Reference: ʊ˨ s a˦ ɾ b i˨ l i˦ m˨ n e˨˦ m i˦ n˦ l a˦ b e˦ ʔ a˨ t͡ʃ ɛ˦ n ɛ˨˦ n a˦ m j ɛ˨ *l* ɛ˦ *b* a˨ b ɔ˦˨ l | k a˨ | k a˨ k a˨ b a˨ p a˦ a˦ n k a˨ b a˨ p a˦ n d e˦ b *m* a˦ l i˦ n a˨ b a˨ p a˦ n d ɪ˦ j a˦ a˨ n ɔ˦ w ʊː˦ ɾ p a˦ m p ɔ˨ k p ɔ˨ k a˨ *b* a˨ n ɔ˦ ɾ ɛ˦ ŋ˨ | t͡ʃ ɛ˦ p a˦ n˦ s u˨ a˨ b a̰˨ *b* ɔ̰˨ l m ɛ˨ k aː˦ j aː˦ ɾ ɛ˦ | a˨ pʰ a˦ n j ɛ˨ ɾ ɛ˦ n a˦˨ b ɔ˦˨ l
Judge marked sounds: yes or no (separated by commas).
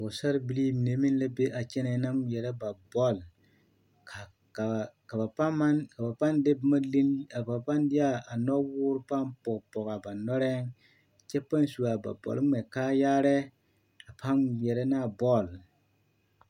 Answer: no, yes, yes, yes, yes